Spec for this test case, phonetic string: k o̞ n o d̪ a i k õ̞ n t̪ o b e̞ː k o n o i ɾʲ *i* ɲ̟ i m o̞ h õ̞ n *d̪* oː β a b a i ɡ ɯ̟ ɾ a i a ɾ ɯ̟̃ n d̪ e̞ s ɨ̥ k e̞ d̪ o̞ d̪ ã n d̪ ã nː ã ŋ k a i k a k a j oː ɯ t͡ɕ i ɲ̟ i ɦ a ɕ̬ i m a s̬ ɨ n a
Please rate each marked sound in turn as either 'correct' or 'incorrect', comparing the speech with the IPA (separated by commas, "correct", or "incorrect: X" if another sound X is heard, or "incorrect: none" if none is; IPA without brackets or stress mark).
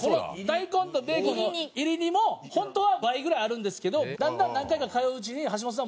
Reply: correct, incorrect: t̪